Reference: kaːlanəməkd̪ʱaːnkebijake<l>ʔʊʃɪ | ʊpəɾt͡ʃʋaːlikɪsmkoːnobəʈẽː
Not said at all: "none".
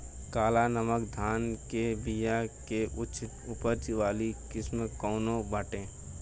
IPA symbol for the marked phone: none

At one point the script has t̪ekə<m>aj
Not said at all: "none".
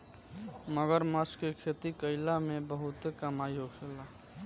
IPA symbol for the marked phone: m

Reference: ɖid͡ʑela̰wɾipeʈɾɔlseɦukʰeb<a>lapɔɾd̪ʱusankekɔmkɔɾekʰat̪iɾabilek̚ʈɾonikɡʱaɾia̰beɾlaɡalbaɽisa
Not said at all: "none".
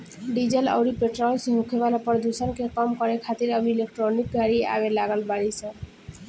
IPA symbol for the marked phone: a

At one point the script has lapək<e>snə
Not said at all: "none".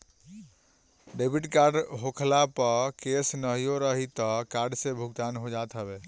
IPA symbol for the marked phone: e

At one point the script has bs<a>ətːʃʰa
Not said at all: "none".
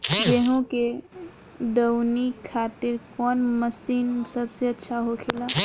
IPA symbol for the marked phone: e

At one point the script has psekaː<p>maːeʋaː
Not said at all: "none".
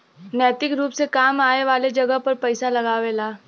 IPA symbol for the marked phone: none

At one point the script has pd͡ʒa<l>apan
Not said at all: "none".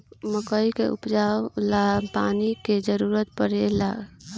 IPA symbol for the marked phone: l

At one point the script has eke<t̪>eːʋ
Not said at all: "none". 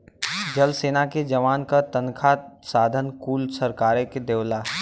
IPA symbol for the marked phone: d̪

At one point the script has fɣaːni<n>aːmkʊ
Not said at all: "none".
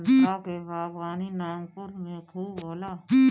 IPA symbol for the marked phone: n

